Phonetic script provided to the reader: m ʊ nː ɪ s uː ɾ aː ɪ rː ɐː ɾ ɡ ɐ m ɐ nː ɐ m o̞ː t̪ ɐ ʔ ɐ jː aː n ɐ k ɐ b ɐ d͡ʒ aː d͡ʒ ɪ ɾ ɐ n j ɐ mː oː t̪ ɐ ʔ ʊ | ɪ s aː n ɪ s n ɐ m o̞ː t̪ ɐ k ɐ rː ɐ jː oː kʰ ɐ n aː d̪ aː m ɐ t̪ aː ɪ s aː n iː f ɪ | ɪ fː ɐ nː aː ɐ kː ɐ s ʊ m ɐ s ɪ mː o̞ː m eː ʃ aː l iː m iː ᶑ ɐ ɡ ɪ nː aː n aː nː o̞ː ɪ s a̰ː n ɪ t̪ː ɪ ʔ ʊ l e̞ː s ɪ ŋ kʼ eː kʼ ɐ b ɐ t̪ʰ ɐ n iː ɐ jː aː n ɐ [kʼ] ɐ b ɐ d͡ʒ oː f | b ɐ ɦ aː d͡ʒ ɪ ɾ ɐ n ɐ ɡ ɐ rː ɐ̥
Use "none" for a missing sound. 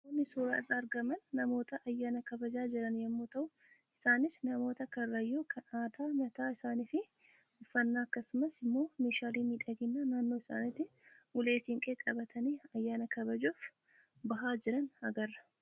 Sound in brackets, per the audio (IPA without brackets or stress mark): k